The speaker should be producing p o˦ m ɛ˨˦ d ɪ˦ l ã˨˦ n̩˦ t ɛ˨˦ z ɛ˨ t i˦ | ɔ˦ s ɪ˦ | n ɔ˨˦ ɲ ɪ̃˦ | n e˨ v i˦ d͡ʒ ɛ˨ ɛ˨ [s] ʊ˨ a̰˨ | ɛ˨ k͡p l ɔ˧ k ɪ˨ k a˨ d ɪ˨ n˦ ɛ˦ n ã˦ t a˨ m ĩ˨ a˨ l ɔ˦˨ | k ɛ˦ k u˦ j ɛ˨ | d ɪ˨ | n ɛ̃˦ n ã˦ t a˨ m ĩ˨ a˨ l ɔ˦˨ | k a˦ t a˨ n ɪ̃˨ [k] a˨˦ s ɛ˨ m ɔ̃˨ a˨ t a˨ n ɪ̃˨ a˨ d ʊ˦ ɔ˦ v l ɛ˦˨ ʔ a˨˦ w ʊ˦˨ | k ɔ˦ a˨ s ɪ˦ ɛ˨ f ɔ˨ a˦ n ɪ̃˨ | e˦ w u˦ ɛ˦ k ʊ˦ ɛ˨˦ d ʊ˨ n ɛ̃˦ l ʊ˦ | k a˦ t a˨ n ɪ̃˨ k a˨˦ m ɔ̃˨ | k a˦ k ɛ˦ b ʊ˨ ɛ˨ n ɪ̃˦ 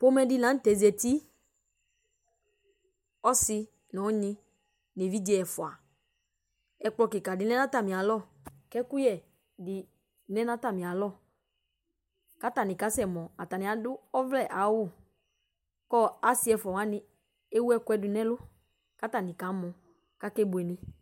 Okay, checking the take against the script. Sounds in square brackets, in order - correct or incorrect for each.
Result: incorrect: f, correct

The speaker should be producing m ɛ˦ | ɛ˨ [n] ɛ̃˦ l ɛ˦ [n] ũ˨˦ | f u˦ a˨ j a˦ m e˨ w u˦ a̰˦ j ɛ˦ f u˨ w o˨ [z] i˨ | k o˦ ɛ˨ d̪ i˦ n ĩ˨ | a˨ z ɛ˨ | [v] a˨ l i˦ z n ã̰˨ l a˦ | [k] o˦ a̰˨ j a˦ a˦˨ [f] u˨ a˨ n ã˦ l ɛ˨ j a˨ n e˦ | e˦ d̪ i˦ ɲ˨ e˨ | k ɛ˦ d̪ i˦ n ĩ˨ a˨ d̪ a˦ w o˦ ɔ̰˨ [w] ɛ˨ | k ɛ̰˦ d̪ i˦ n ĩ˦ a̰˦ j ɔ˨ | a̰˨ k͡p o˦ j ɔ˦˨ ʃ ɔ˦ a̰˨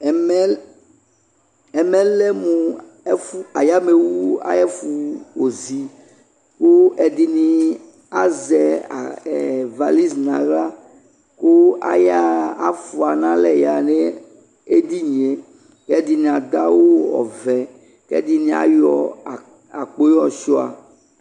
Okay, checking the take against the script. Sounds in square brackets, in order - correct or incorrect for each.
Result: incorrect: m, incorrect: m, correct, correct, correct, correct, incorrect: v

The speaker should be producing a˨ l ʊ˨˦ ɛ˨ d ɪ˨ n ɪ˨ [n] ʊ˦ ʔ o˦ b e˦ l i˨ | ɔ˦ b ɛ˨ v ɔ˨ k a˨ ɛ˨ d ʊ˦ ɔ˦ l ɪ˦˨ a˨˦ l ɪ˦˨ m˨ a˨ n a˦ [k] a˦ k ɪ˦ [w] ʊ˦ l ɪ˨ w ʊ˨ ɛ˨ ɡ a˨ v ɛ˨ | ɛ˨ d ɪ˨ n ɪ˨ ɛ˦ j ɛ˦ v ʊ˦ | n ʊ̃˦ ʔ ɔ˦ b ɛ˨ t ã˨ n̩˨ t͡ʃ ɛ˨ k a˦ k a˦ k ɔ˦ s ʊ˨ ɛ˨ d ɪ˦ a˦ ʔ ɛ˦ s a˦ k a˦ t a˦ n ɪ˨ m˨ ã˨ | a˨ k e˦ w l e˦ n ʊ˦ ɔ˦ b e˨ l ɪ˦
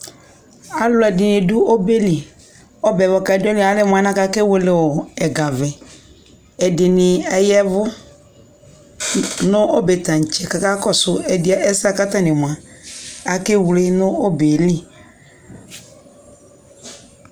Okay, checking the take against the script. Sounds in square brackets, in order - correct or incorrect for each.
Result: incorrect: d, correct, correct

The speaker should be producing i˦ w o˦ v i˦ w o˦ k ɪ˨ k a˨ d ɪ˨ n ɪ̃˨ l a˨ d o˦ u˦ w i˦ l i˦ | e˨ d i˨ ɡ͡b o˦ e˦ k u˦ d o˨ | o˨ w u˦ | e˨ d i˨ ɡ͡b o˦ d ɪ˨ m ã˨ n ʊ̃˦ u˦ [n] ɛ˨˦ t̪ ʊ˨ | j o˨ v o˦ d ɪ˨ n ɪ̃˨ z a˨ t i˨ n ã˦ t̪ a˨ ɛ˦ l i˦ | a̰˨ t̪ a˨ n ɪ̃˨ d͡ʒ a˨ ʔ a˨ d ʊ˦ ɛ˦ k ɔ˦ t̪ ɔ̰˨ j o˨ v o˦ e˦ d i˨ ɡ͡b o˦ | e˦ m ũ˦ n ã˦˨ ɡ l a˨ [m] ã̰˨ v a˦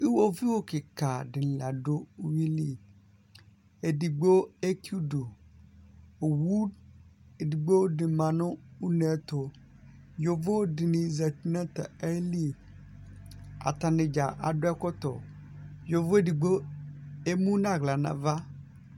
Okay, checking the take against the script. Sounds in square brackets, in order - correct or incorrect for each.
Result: correct, incorrect: n

